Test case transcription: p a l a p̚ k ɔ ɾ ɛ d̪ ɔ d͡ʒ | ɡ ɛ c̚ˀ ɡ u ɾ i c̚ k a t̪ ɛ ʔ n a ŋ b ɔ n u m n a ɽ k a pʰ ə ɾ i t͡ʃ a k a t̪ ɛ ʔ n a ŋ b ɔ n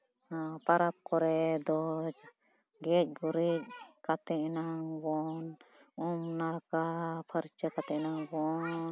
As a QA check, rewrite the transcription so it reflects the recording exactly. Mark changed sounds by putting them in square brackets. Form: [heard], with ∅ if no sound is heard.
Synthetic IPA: p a [ɾ] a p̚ k ɔ ɾ ɛ d̪ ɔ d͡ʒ | ɡ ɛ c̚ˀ ɡ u ɾ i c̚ k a t̪ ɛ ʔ n a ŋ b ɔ n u m n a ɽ k a pʰ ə ɾ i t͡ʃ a k a t̪ ɛ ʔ n a ŋ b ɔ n